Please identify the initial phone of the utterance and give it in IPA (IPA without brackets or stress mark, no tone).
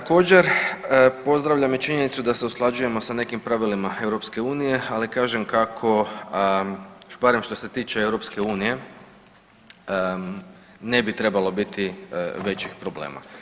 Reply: t̪